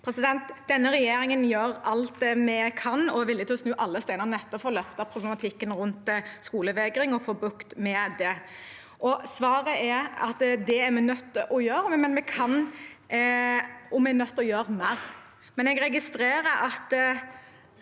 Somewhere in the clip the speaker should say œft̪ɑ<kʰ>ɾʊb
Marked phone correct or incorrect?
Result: incorrect